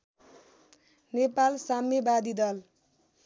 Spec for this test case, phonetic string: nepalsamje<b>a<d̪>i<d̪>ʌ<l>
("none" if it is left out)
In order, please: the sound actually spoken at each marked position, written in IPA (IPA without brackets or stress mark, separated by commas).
b, d̪, d̪, l